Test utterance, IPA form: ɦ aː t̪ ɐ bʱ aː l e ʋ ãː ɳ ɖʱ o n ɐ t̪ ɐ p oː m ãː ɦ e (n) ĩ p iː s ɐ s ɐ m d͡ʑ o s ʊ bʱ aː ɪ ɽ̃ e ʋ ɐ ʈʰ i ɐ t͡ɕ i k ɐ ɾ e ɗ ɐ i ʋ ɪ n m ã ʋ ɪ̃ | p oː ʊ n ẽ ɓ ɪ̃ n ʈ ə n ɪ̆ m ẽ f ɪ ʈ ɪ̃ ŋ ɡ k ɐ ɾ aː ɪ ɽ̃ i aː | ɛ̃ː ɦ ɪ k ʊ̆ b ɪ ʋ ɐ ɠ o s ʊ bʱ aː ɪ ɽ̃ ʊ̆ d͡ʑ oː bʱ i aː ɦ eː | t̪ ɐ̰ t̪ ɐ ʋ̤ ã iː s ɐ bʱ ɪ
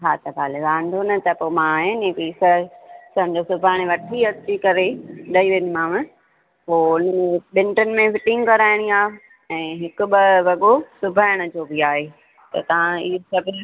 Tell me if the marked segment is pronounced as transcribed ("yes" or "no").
yes